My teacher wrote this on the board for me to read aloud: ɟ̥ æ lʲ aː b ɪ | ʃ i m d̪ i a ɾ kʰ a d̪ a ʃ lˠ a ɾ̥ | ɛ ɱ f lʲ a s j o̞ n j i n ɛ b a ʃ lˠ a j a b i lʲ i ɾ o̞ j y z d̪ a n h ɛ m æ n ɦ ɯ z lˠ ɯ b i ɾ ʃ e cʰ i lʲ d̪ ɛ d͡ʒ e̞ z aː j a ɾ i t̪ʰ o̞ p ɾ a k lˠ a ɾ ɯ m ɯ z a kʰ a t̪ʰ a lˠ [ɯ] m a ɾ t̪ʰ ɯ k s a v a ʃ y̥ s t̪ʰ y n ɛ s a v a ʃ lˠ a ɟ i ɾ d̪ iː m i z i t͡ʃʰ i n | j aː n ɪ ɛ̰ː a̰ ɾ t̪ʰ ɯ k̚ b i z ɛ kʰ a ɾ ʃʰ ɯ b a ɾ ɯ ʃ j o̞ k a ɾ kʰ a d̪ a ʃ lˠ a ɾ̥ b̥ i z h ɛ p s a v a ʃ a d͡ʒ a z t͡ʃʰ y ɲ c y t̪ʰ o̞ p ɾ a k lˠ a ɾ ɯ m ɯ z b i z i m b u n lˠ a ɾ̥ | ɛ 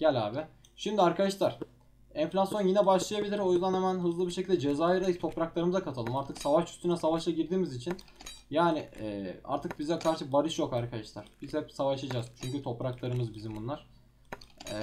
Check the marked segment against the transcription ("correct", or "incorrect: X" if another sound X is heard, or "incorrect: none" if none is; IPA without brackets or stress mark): correct